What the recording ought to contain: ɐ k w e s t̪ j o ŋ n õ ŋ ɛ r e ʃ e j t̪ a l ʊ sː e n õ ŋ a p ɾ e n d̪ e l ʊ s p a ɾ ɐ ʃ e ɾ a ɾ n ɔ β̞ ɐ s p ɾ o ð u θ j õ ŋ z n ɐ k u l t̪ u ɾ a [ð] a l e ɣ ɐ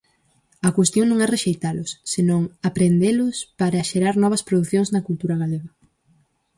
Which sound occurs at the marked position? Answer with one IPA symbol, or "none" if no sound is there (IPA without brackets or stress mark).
ɣ